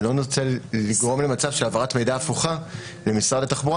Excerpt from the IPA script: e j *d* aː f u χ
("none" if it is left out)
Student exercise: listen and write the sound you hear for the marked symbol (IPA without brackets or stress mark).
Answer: d